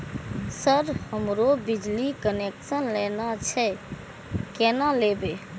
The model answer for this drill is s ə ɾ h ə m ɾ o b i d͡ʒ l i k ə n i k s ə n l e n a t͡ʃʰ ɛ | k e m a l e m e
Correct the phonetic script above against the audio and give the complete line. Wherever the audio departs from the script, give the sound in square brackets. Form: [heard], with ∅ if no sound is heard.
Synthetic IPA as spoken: s ə ɾ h ə m ɾ o b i d͡ʒ l i k ə n [e] k s ə n l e n a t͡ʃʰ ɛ | k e [n] a l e [b] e